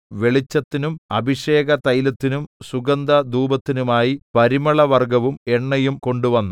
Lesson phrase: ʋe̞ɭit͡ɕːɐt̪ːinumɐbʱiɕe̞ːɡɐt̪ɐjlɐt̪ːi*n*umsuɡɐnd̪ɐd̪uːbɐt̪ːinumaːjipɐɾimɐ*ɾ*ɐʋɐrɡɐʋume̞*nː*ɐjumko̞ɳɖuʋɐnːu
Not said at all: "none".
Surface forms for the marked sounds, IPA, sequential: n, ɭ, ɳː

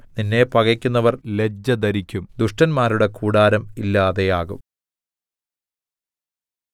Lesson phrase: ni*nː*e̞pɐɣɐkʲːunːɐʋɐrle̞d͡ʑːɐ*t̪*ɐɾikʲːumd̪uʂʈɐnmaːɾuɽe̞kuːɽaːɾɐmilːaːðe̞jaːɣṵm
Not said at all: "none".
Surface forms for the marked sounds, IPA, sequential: nː, d̪

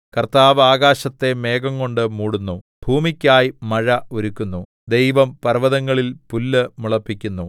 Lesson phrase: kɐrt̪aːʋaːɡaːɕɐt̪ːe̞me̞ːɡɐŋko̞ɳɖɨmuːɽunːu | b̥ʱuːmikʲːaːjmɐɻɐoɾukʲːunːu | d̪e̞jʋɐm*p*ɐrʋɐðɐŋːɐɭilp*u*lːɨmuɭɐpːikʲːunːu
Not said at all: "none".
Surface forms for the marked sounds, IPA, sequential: p, u

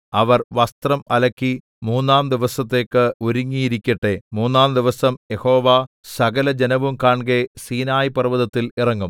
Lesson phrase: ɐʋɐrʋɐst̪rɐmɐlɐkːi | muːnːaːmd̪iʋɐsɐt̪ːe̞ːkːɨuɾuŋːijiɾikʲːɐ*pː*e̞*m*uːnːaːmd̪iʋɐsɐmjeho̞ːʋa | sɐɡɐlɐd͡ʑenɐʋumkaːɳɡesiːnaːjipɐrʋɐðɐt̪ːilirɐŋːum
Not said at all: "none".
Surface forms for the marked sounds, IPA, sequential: ʈː, m

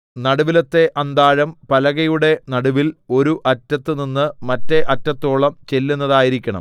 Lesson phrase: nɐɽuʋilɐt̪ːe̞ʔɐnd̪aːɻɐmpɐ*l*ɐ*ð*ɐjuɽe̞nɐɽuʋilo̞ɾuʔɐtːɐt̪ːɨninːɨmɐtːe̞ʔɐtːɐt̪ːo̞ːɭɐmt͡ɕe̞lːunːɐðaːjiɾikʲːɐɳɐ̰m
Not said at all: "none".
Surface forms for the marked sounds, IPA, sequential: l, ɣ

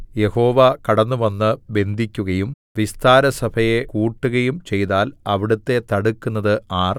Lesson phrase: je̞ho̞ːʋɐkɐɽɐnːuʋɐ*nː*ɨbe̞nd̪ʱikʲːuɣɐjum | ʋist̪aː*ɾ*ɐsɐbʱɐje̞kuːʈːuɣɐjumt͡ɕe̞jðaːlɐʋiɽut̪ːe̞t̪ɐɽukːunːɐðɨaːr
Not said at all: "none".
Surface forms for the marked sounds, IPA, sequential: nː, ɾ

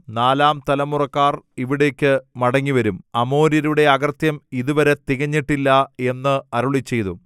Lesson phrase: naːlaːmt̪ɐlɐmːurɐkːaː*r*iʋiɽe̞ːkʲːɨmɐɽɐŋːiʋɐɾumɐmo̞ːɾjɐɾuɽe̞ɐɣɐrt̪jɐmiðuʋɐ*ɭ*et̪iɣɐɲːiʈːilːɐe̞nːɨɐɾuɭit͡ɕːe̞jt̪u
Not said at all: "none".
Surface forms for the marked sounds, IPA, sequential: r, ɾ

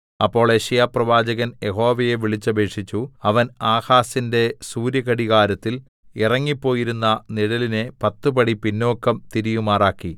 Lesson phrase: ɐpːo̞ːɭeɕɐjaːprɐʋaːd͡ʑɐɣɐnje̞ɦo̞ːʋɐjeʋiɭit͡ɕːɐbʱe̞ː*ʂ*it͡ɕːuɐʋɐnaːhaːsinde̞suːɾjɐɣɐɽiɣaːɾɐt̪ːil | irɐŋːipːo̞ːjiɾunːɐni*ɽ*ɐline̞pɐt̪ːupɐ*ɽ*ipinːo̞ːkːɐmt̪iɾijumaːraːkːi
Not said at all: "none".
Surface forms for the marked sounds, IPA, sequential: ʂ, ɽ, ɽ

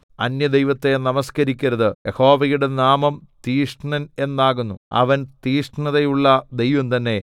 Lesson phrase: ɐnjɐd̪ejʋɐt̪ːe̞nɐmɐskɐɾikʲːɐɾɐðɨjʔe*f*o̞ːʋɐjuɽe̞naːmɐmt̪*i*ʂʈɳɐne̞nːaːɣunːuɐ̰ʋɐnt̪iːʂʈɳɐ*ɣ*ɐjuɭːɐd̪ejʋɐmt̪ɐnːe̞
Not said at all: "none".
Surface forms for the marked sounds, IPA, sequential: h, iː, ð

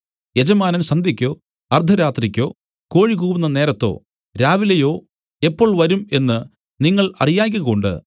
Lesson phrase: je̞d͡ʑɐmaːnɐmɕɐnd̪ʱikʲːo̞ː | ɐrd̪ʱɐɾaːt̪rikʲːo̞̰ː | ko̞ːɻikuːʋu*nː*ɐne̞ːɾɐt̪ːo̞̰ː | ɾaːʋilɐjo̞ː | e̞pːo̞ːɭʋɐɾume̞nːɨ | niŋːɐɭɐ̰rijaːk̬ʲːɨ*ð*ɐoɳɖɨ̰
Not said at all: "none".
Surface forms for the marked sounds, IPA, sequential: nː, ɣ

